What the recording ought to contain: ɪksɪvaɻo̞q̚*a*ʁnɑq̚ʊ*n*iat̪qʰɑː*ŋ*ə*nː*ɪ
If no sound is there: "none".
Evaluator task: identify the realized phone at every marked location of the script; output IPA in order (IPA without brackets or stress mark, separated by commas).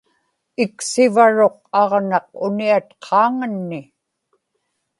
ɑ, n, ŋ, nː